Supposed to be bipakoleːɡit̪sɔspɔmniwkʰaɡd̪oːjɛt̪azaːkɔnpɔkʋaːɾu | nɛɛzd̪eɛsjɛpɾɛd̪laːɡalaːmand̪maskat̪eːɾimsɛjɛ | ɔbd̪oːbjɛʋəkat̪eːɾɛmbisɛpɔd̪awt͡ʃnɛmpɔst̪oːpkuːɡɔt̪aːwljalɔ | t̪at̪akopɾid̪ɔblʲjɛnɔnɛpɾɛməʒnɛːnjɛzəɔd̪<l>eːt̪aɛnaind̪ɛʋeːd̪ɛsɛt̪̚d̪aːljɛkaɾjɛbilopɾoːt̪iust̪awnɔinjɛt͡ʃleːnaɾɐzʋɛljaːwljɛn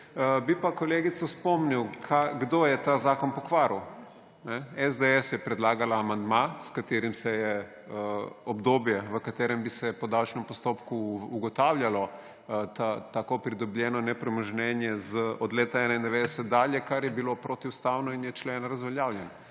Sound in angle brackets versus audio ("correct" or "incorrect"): correct